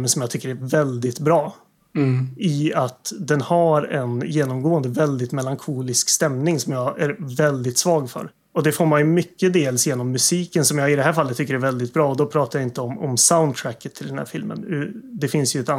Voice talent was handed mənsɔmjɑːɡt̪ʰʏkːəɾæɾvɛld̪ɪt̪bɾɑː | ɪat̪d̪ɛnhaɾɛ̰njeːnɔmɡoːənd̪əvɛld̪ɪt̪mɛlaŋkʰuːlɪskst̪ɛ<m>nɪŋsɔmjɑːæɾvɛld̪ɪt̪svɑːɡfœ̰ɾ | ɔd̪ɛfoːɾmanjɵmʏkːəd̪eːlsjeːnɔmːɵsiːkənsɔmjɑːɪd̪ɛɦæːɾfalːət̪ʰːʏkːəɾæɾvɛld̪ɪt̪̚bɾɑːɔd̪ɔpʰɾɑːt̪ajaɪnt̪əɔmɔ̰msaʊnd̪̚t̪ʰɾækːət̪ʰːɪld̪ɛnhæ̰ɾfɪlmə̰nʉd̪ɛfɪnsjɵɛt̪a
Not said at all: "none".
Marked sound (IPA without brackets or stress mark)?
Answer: m